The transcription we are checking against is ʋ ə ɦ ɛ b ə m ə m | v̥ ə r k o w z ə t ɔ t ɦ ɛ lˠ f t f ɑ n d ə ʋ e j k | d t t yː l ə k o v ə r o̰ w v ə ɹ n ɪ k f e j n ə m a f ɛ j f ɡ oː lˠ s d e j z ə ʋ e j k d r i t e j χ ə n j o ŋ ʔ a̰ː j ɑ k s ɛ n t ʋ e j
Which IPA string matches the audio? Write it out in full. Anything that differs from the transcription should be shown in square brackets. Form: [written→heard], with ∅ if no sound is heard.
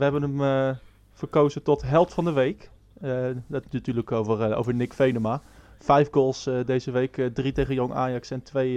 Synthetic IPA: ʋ ə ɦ ɛ b ə [m→n] ə m | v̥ ə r k o w z ə t ɔ t ɦ ɛ lˠ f t f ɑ n d ə ʋ e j k | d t t yː l ə k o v ə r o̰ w v ə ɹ n ɪ k f e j n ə m a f ɛ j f ɡ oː lˠ s d e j z ə ʋ e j k d r i t e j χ ə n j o ŋ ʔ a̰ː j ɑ k s ɛ n t ʋ e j